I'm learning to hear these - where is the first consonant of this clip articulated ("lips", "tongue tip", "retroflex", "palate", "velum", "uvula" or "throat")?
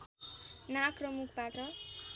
tongue tip